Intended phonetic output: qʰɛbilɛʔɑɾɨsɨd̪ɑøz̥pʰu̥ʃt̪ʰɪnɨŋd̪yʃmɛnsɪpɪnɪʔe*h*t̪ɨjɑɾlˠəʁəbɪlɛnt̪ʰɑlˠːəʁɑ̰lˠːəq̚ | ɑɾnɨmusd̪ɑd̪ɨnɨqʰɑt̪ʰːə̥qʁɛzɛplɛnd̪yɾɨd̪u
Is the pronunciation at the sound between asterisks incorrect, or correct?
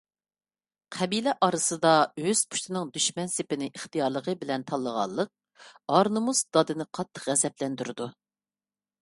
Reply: incorrect: χ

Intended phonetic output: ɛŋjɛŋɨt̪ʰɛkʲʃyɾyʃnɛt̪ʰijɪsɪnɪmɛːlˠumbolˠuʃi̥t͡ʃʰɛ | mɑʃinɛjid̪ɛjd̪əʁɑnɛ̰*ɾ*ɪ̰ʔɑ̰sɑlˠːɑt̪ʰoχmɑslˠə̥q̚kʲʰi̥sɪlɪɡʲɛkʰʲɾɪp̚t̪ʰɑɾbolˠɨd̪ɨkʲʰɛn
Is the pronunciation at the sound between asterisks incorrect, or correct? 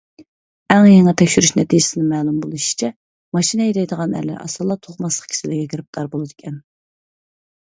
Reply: incorrect: l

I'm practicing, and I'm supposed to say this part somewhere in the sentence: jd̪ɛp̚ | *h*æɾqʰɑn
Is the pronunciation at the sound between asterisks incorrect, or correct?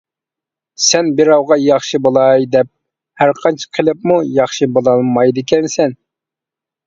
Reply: correct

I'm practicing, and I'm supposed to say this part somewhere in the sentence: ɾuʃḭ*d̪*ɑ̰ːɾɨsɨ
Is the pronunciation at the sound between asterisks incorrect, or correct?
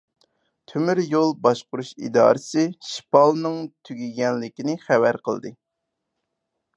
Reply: correct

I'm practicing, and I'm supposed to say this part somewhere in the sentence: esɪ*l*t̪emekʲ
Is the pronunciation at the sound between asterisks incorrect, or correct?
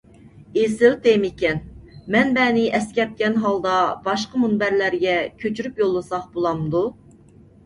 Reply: correct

